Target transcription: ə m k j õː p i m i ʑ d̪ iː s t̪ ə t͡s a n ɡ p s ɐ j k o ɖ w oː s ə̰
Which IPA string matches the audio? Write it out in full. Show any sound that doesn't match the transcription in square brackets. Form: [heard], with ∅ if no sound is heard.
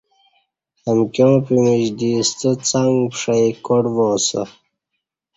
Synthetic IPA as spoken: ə m k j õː p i m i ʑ d̪ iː s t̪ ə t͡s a [ŋ] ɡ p [ʂ] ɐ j k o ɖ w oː s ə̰